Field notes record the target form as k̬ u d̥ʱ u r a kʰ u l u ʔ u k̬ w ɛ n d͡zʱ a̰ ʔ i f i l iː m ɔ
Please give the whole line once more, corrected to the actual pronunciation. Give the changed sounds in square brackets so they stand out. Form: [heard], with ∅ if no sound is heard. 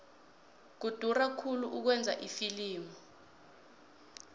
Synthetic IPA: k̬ u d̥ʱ u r a kʰ u l u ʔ u k̬ w ɛ n d͡zʱ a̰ ʔ i f i l iː m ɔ